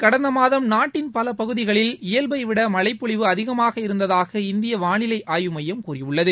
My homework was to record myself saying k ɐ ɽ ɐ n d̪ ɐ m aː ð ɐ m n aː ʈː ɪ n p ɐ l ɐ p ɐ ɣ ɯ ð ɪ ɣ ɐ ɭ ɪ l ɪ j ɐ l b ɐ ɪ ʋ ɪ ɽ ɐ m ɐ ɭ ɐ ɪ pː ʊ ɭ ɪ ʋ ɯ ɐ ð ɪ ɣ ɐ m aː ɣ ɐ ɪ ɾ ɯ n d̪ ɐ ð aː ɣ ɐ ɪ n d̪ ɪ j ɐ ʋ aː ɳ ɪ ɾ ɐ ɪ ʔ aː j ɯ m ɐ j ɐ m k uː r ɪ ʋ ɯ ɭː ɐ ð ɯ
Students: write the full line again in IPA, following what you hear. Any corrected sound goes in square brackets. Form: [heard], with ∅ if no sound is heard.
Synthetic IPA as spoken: k ɐ ɽ ɐ n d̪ ɐ m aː ð ɐ m n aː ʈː ɪ n p ɐ l ɐ p ɐ ɣ ɯ ð ɪ ɣ ɐ ɭ ɪ l ɪ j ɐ l b ɐ ɪ ʋ ɪ ɽ ɐ m ɐ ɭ ɐ ɪ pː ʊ ɭ ɪ ʋ ɯ ɐ ð ɪ ɣ ɐ m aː ɣ ɐ ɪ ɾ ɯ n d̪ ɐ ð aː ɣ ɐ ɪ n d̪ ɪ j ɐ ʋ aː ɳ ɪ [l] ɐ ɪ ʔ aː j ɯ m ɐ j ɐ m k uː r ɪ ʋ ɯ ɭː ɐ ð ɯ